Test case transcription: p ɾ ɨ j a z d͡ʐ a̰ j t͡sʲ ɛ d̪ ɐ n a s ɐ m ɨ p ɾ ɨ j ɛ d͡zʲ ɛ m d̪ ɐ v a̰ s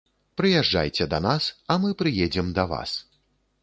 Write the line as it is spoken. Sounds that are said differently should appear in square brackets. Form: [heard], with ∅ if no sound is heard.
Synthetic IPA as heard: p ɾ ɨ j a [ʐ] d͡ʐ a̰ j t͡sʲ ɛ d̪ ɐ n a s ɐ m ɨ p ɾ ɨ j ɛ d͡zʲ ɛ m d̪ ɐ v a̰ s